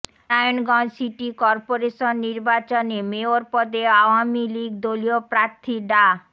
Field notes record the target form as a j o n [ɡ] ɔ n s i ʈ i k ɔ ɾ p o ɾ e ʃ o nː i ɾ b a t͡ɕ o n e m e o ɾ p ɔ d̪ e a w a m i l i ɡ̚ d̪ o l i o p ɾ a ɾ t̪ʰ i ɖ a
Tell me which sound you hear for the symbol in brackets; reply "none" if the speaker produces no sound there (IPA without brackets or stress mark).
ɡ